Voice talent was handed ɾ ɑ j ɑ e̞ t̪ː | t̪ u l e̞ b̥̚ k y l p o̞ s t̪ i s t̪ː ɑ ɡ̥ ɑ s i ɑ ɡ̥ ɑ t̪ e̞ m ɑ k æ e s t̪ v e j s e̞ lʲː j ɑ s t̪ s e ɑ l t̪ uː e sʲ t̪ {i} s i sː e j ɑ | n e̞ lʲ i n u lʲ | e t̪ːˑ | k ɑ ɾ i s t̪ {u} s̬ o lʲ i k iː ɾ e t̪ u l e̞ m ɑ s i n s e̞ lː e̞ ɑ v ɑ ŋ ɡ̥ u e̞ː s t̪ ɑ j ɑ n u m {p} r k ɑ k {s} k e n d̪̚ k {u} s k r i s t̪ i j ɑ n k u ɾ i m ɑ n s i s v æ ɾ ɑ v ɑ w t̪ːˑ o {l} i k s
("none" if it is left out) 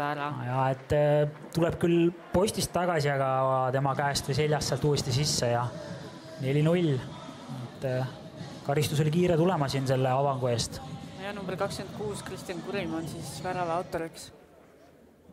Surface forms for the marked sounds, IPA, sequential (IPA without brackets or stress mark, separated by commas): i, u, b, s, uː, ɾ